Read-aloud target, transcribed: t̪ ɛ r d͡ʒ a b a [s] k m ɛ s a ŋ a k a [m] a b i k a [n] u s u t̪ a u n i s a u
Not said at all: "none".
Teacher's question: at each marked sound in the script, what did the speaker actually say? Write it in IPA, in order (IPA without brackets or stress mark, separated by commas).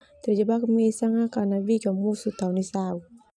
none, n, m